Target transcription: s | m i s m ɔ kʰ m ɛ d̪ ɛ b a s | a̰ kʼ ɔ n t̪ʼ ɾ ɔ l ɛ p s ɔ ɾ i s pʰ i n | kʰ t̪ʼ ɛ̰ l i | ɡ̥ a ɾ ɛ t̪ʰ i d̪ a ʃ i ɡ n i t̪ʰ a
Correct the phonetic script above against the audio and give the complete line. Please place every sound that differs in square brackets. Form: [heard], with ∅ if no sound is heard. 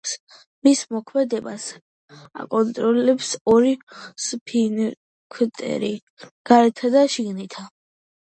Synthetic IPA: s | m i s m ɔ kʰ m ɛ d̪ ɛ b a s | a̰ kʼ ɔ n t̪ʼ ɾ ɔ l ɛ p s ɔ ɾ i s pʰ i n | kʰ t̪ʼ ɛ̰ [ɾ] i | ɡ̥ a ɾ ɛ t̪ʰ [a] d̪ a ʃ i ɡ n i t̪ʰ a